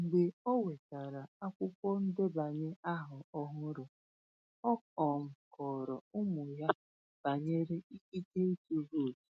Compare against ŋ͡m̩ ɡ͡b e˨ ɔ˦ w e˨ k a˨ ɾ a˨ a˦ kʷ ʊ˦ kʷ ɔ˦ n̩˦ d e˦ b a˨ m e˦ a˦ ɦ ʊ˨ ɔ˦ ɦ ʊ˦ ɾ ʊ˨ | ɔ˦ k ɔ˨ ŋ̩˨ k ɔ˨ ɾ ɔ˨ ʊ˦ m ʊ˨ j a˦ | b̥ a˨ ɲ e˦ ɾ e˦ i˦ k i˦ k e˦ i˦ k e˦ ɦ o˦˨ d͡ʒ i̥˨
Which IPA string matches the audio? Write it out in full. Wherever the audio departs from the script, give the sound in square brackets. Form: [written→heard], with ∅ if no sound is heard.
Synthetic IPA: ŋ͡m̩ ɡ͡b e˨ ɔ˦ w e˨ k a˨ ɾ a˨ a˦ kʷ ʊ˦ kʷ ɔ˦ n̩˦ d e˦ b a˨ [m→ɲ] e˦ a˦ ɦ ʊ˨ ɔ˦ ɦ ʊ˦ ɾ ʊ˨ | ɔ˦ k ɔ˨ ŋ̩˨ k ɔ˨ ɾ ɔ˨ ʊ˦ m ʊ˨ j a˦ | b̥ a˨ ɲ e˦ ɾ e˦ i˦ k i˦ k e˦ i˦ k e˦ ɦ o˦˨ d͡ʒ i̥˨